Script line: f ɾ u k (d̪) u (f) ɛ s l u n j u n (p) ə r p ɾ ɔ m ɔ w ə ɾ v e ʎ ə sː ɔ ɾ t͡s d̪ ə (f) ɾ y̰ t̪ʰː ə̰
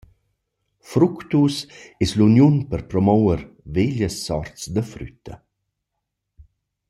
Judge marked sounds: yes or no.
no, no, yes, yes

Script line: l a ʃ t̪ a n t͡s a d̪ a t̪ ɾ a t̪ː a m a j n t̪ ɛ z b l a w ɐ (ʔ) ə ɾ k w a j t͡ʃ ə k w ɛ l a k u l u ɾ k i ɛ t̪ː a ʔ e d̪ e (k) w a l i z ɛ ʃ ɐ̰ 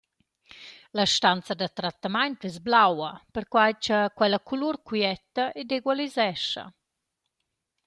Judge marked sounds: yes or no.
no, no

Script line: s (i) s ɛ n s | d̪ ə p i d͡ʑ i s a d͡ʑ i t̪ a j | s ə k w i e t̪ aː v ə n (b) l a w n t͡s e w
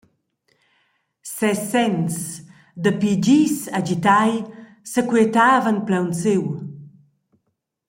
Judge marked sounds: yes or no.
no, no

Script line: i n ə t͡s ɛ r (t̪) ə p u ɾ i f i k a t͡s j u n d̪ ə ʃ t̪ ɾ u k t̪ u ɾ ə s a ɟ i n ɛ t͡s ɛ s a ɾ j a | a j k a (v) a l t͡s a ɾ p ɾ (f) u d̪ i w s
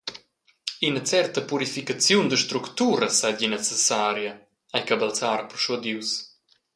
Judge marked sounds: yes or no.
yes, no, no

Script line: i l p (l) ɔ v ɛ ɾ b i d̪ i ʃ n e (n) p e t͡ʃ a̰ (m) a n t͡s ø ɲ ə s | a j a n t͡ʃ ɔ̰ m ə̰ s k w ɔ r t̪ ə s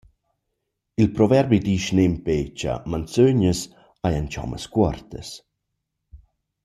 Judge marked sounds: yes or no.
no, no, yes

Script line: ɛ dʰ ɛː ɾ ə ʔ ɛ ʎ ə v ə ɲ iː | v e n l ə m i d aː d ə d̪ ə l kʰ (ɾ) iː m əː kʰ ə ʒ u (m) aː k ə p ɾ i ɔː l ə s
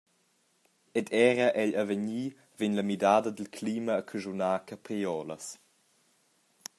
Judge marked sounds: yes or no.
no, no

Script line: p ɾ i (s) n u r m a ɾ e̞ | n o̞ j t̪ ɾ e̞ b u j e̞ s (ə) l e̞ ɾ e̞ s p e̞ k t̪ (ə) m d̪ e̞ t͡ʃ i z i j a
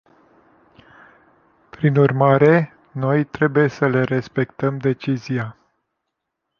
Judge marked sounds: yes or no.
no, yes, yes

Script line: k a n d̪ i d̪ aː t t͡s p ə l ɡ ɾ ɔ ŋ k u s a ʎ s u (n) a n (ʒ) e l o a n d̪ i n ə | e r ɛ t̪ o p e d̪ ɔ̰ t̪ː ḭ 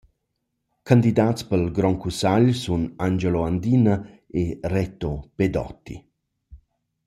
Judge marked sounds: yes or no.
yes, no

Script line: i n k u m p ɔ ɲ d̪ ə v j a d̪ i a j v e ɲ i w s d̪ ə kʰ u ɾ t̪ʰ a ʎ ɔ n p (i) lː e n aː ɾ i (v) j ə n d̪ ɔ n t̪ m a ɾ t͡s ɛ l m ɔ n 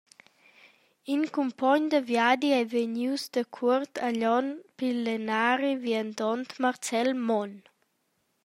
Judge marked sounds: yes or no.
yes, yes

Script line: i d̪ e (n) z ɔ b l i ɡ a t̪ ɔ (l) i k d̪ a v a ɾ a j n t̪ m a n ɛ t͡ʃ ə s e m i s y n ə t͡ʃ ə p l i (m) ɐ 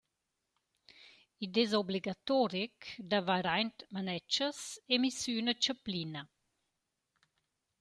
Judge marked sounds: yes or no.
no, no, no

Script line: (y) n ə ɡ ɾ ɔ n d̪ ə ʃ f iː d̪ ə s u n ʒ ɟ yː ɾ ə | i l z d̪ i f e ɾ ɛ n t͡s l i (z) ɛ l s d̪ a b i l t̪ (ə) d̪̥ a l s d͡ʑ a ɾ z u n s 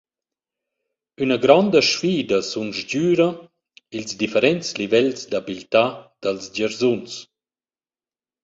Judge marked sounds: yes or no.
yes, no, no

